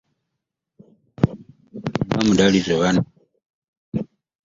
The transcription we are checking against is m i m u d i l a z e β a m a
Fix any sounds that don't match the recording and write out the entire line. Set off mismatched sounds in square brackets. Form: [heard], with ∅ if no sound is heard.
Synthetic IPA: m [a] m u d [a] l [i] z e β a [n] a